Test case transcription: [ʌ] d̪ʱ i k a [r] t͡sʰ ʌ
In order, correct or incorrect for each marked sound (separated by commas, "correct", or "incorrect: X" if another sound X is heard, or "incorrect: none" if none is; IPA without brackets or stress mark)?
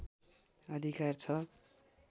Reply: correct, correct